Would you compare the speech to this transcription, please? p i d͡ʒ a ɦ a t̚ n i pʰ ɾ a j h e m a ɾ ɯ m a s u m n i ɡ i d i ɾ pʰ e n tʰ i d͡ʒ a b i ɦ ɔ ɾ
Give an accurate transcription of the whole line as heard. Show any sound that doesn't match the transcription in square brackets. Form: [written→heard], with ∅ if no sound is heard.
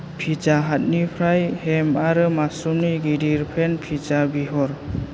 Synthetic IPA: [p→pʰ] i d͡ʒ a ɦ a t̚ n i pʰ ɾ a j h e m a ɾ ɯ m a s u m n i ɡ i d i ɾ pʰ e n [tʰ→pʰ] i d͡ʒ a b i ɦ ɔ ɾ